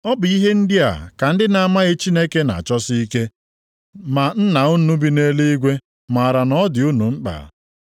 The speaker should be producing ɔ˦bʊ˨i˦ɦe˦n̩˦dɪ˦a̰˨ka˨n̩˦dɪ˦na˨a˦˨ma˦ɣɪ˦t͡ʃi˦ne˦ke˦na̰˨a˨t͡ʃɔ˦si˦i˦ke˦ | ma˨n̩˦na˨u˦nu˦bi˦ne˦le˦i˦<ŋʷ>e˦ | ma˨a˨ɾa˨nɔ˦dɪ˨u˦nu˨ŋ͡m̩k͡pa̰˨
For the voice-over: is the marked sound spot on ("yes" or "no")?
no